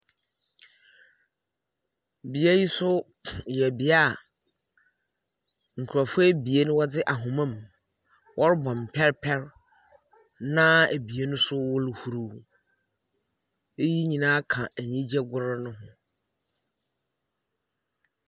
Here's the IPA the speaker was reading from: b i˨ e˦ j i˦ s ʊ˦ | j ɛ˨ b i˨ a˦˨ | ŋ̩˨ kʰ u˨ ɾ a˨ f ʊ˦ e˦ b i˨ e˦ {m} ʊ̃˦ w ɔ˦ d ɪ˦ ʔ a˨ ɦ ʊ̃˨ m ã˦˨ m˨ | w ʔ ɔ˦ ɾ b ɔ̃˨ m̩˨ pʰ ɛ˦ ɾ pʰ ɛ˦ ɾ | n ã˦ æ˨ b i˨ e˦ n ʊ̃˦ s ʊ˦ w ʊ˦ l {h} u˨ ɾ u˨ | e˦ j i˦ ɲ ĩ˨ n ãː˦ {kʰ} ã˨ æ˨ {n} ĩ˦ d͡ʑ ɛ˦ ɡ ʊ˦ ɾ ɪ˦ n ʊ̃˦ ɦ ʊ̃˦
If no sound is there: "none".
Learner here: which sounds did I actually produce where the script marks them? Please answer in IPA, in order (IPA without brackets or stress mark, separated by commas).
n, h, kʰ, ɲ